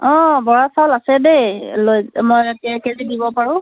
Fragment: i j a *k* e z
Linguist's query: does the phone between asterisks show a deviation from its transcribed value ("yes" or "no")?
no